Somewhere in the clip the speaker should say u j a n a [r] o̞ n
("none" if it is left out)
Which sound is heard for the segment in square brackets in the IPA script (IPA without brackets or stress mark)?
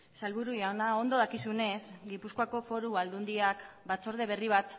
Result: none